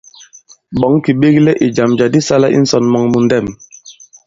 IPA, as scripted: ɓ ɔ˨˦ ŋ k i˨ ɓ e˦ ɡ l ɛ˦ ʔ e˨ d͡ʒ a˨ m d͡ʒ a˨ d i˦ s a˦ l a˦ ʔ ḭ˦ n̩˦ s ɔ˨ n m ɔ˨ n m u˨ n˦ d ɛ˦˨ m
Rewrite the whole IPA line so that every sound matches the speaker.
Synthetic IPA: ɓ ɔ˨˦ ŋ k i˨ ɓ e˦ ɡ l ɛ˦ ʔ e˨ d͡ʒ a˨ m d͡ʒ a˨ d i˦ s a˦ l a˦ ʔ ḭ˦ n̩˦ s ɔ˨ n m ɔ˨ ŋ m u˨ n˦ d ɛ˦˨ m